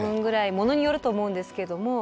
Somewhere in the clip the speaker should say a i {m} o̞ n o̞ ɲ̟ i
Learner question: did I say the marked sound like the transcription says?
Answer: yes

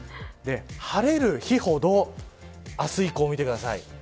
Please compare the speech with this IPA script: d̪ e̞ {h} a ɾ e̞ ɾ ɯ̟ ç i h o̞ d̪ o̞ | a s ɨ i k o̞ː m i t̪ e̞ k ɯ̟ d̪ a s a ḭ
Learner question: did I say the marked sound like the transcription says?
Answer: yes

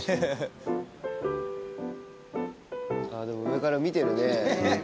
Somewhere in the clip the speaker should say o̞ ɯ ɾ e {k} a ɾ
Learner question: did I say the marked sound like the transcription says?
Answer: yes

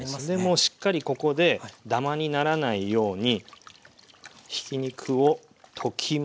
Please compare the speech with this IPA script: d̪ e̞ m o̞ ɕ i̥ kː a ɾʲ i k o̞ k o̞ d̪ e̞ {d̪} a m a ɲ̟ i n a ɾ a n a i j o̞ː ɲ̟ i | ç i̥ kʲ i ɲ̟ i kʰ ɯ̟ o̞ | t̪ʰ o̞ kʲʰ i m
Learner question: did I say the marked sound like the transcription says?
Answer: yes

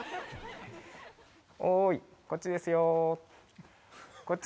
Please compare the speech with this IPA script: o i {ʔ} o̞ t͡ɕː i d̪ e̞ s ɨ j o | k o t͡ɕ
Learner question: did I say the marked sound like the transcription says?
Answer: no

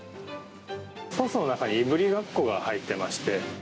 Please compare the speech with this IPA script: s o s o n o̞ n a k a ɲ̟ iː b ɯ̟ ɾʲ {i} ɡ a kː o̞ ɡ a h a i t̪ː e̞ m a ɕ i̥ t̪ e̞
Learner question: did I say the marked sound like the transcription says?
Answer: yes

